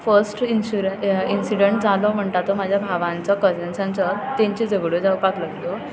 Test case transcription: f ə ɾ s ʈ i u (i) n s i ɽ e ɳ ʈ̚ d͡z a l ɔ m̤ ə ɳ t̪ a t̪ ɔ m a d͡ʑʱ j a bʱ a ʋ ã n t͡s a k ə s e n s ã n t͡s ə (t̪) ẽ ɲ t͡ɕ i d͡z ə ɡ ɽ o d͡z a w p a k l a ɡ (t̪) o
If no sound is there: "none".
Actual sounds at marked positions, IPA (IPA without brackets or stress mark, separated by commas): i, t̪, t̪